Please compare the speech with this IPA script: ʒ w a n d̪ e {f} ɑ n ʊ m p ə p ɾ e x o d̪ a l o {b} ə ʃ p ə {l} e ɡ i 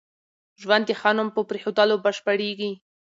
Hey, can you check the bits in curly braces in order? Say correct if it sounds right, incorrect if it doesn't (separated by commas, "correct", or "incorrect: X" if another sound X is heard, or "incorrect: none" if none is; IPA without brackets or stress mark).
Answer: incorrect: x, correct, incorrect: ɽ